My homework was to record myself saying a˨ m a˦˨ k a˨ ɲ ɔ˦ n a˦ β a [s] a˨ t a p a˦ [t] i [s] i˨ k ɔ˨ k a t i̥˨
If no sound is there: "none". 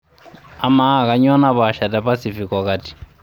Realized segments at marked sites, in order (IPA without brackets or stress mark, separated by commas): ʃ, s, f